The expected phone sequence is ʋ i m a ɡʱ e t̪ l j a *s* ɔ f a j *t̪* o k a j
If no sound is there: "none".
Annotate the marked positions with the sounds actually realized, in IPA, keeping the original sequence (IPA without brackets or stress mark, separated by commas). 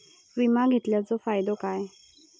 t͡s, d̪